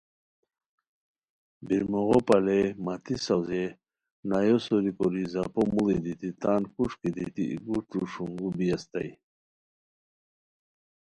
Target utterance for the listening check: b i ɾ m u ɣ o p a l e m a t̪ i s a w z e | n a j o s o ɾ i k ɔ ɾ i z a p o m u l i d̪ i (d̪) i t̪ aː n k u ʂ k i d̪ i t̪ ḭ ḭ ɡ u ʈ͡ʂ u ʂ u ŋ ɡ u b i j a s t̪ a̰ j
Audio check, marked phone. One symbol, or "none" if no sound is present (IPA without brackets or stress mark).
t̪